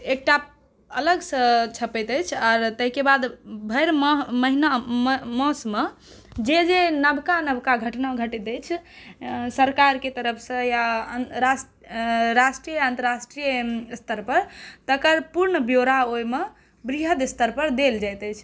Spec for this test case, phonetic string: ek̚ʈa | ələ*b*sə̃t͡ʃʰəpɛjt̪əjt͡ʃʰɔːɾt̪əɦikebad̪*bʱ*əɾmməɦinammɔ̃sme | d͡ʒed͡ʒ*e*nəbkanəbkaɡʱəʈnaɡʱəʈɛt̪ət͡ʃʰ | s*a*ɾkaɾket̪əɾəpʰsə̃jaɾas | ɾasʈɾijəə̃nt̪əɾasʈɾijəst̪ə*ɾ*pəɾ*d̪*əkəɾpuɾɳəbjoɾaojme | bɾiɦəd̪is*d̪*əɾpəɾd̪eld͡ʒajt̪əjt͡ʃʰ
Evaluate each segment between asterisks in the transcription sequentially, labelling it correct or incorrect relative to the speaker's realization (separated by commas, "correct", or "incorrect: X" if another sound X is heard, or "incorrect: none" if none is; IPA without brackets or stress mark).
incorrect: ɡ, correct, correct, incorrect: ə, correct, incorrect: t̪, incorrect: t̪